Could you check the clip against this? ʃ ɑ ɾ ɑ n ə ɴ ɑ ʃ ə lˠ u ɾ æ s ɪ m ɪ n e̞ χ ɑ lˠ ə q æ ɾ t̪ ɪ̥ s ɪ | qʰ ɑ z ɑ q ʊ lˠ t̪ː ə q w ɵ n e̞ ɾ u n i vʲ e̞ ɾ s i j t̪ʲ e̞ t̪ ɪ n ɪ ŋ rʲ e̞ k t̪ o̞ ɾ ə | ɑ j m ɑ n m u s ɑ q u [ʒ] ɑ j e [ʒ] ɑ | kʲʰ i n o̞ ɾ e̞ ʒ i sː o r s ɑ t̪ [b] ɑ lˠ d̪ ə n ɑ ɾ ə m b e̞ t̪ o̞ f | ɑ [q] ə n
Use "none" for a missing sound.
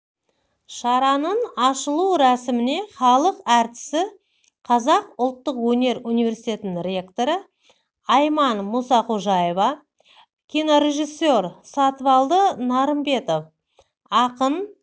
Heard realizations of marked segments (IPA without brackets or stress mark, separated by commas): ʒ, v, v, q